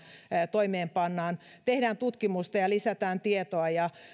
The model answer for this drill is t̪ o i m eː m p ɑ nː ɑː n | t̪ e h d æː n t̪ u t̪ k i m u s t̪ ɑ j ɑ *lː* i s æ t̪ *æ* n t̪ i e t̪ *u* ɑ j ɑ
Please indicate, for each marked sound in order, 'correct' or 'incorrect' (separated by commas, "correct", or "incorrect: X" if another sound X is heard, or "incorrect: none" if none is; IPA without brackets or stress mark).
incorrect: l, incorrect: æː, incorrect: o